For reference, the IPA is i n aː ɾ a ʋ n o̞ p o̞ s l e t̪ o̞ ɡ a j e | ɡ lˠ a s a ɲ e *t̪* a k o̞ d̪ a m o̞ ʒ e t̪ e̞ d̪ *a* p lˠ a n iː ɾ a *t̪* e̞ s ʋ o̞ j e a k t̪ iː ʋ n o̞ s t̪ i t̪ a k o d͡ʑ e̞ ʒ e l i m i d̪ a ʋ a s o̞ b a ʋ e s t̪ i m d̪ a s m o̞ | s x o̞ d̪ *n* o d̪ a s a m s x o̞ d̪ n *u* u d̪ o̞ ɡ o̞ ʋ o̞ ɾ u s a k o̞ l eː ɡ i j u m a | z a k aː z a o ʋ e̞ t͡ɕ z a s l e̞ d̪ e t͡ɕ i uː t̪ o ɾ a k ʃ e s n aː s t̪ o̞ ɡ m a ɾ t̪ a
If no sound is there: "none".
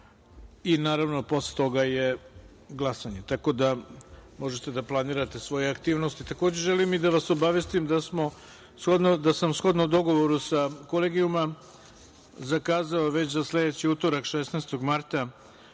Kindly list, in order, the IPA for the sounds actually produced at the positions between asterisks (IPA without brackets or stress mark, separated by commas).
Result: t̪, a, t̪, n, o